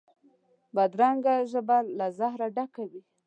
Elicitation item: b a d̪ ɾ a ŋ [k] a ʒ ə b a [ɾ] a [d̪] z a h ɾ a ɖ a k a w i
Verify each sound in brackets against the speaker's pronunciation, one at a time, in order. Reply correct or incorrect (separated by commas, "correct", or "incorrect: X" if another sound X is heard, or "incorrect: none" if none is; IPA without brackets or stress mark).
incorrect: ɡ, incorrect: l, incorrect: none